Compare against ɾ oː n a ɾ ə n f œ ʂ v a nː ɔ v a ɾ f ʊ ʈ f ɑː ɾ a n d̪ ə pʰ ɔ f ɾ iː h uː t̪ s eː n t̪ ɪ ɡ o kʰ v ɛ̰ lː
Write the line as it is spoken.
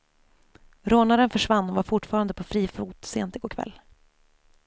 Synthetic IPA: ɾ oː n a ɾ ə n f œ ʂ v a nː ɔ v a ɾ f ʊ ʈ f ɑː ɾ a n d̪ ə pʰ ɔ f ɾ iː f uː t̪ s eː n t̪ ɪ ɡ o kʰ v ɛ̰ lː